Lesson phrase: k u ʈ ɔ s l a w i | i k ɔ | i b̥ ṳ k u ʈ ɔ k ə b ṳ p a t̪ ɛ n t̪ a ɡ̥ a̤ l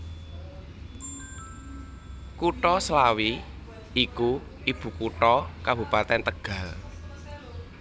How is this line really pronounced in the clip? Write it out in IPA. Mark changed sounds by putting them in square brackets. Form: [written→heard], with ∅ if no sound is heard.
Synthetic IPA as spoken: k u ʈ ɔ s l a w i | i k [ɔ→u] | i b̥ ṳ k u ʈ ɔ k [ə→a] b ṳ p a t̪ ɛ n t̪ [a→ə] ɡ̥ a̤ l